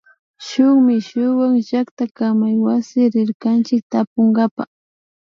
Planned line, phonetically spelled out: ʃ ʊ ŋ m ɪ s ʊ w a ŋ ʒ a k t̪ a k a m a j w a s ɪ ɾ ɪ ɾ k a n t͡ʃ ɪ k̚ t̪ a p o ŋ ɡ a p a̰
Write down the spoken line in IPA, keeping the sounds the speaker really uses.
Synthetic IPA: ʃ ʊ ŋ m ɪ ʃ ʊ w a ŋ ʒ a k t̪ a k a m a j w a s ɪ ɾ ɪ ɾ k a n t͡ʃ ɪ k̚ t̪ a p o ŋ ɡ a p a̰

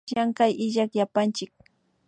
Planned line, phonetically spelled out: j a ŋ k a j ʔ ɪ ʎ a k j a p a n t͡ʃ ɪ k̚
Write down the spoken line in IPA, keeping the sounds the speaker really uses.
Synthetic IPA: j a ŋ k a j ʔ ɪ ʎ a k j a p a n t͡ʃ ɪ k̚

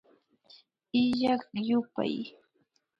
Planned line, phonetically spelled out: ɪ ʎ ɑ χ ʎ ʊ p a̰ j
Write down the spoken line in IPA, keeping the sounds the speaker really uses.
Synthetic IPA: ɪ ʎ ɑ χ j ʊ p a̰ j

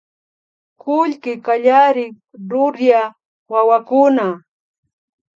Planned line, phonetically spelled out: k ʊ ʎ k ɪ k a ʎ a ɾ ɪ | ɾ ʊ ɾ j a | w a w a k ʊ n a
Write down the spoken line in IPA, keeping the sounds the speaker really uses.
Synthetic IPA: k ʊ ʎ k ɪ k a ʎ a ɾ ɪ | ɾ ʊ ɾ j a | w a w a k ʊ n a

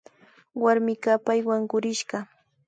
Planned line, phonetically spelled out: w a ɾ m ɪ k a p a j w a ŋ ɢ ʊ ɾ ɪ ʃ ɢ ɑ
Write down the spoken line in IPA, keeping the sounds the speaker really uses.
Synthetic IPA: w a ɾ m ɪ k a p a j w a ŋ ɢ ʊ ɾ ɪ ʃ ɢ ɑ

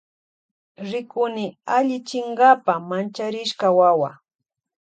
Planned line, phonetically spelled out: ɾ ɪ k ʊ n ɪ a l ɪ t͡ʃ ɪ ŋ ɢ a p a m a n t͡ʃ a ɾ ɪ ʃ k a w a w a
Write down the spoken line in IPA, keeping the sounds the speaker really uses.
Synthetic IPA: ɾ ɪ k ʊ n ɪ a ʎ ɪ t͡ʃ ɪ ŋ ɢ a p a m a n t͡ʃ a ɾ ɪ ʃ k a w a w a

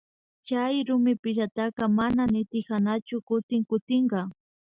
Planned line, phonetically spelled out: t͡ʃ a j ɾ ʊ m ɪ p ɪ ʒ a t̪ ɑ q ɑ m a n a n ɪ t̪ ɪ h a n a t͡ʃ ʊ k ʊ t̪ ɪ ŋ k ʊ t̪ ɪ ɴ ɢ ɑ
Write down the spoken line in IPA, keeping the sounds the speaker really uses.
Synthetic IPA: t͡ʃ a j ɾ ʊ m ɪ p ɪ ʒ a t̪ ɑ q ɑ m a n a n ɪ t̪ ɪ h a n a t͡ʃ ʊ k ʊ t̪ ɪ ŋ k ʊ t̪ ɪ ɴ ɢ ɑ

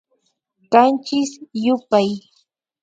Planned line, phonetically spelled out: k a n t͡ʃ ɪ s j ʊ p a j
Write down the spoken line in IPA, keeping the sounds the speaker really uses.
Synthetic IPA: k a n t͡ʃ ɪ s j ʊ p a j

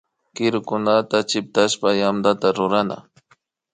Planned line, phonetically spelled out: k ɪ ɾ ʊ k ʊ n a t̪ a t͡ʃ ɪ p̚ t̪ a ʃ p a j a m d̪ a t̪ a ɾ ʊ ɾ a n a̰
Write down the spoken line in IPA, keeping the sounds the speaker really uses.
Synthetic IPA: k ɪ ɾ ʊ k ʊ n a t̪ a t͡ʃ ɪ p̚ t̪ a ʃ p a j a m d̪ a t̪ a ɾ ʊ ɾ a n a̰

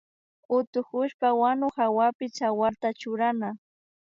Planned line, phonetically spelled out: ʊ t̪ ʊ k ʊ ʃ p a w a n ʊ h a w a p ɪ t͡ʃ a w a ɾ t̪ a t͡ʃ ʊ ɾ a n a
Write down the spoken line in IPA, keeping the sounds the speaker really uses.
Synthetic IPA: ʊ t̪ ʊ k ʊ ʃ p a w a n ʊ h a w a p ɪ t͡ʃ a w a ɾ t̪ a t͡ʃ ʊ ɾ a n a

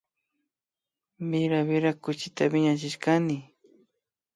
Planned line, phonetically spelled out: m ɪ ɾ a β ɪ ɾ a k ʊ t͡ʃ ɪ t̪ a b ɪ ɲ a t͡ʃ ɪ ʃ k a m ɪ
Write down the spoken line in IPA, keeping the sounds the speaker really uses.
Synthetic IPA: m ɪ ɾ a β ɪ ɾ a k ʊ t͡ʃ ɪ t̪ a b ɪ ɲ a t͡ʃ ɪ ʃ k a n ɪ

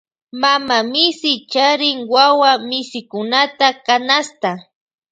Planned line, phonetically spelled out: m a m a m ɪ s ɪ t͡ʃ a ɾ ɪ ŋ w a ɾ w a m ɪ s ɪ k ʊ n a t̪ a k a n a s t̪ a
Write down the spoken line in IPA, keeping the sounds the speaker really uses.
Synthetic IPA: m a m a m ɪ s ɪ t͡ʃ a ɾ ɪ ŋ w a w a m ɪ s ɪ k ʊ n a t̪ a k a n a s t̪ a

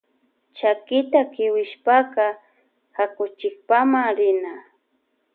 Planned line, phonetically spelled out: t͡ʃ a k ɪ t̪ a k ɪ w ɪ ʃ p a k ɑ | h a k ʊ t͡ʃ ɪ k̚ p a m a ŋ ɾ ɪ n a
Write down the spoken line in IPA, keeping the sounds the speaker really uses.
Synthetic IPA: t͡ʃ a k ɪ t̪ a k ɪ w ɪ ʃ p a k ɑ | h a k ʊ t͡ʃ ɪ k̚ p a m a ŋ ɾ ɪ n a

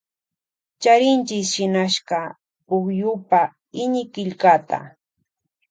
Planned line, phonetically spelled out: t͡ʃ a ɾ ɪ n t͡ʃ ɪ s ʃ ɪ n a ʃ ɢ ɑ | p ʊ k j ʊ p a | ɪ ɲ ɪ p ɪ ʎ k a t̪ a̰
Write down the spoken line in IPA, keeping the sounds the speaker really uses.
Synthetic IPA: t͡ʃ a ɾ ɪ n t͡ʃ ɪ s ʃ ɪ n a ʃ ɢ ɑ | p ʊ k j ʊ p a | ɪ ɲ ɪ k ɪ ʎ k a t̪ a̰

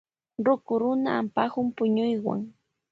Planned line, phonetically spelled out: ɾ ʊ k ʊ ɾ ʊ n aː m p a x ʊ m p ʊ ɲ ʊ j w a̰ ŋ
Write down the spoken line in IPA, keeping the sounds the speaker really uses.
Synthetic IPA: ɾ ʊ k ʊ ɾ ʊ n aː m p a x ʊ m p ʊ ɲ ʊ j w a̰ ŋ

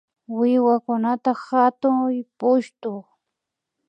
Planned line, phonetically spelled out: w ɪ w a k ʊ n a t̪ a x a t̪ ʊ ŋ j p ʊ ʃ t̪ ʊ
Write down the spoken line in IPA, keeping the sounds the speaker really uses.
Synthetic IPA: w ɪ w a k ʊ n a t̪ a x a t̪ ʊ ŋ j p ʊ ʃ t̪ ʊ

